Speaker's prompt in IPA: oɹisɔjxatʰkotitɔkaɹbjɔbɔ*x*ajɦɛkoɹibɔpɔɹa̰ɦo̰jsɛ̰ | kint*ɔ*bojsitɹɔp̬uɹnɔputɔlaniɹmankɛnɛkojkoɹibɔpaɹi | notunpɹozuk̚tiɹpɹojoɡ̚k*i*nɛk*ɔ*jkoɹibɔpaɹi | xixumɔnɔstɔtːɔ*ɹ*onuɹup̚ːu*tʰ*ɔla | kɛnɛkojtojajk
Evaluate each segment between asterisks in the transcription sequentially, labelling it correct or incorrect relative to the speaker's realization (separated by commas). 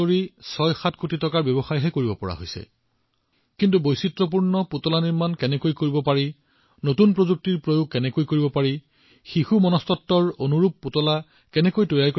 correct, incorrect, incorrect, incorrect, correct, incorrect